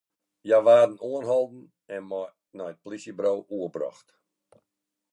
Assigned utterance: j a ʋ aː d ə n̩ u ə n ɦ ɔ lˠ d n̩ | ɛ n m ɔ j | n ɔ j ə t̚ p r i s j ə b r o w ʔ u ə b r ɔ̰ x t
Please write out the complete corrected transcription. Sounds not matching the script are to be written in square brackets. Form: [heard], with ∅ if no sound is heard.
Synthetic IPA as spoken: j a ʋ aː d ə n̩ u ə n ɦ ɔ lˠ d n̩ | ɛ n m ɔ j | n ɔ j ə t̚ p [l] i s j ə b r o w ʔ u ə b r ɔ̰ x t

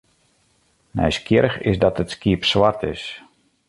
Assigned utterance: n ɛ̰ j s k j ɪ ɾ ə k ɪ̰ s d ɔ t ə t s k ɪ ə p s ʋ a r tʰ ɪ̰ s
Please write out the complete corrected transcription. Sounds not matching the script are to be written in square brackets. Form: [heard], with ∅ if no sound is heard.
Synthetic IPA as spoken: n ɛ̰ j s k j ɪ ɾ ə [x] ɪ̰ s d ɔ t ə t s k [i] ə p s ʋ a r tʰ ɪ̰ s

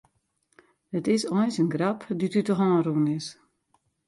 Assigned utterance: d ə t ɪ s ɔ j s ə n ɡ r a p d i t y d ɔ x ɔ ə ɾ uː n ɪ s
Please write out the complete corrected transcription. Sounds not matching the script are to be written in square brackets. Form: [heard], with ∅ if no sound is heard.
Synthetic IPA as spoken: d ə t ɪ s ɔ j s ə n ɡ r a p d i t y [t] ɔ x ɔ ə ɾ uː n ɪ s

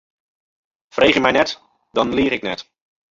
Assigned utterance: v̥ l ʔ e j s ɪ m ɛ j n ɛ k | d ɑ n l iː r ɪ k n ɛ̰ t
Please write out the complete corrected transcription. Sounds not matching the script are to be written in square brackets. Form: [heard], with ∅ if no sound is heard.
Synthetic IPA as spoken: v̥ [r] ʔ e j [χ] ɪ m ɛ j n ɛ [t] | d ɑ n l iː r ɪ k n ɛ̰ t

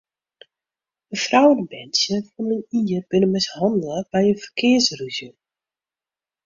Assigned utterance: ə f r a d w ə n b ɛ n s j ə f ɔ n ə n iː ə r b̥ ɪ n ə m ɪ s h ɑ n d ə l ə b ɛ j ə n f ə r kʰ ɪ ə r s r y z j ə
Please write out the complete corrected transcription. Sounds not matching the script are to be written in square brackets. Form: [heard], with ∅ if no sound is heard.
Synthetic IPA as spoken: ə f r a [∅] w ə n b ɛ n s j ə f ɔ n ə n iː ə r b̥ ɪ n ə m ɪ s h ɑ n d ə l ə b ɛ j ə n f ə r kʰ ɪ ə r s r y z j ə

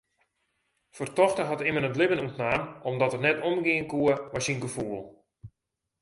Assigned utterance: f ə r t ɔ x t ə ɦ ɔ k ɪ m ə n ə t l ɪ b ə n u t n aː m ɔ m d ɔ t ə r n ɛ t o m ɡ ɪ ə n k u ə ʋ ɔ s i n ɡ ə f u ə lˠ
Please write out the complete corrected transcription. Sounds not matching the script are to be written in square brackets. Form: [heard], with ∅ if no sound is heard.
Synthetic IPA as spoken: f ə r t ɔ x t ə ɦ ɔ [t] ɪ m ə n ə t l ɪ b ə n u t n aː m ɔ m d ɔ t ə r n ɛ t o m ɡ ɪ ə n k u ə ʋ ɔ s i n ɡ ə f u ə lˠ

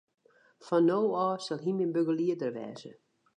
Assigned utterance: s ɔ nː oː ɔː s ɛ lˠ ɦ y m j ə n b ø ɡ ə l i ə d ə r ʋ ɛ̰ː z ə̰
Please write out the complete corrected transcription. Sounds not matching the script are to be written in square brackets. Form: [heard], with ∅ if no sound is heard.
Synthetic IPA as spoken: [f] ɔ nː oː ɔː s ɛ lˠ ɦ [i] m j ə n b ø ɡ ə l i ə d ə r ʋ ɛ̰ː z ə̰

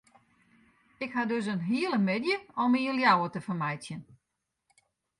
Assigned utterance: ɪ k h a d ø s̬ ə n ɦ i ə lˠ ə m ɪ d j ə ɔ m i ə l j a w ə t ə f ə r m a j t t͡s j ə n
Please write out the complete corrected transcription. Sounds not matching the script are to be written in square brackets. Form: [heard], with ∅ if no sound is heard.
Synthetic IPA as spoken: ɪ k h a d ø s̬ ə n ɦ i ə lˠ ə m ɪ d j ə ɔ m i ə l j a w ə t ə f ə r m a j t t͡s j ə n

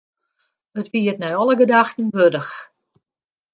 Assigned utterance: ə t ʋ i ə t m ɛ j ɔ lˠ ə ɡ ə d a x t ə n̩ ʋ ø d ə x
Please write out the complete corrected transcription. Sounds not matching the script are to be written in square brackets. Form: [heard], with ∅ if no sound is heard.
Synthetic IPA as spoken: ə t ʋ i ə t [n] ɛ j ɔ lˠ ə ɡ ə d a x t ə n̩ ʋ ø d ə x

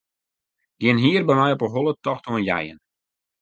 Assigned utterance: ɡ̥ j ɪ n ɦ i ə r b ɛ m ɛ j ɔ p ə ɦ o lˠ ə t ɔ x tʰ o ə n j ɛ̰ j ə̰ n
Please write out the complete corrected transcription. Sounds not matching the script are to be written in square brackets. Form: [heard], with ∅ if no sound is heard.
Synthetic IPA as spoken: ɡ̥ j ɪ n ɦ i ə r b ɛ m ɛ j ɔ p ə ɦ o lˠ ə t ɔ x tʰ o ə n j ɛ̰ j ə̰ n

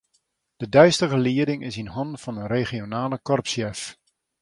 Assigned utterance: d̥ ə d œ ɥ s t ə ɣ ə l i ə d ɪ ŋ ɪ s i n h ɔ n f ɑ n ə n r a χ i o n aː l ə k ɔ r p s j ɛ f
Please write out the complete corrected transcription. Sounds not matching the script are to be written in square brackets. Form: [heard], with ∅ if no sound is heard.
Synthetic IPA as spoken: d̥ ə d œ ɥ s t ə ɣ ə l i ə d ɪ ŋ ɪ s i n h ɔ n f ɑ n ə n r [e] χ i o n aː l ə k ɔ r p s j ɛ f

